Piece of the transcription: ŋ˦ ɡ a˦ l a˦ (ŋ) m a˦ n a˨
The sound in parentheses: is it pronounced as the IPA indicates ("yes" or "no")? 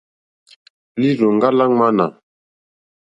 yes